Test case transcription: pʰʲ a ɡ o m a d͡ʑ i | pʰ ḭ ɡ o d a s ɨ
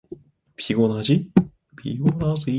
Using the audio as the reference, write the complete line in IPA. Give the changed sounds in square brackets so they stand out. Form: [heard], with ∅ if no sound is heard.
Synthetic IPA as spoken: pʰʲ [i] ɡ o [n] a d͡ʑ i | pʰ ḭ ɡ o [n] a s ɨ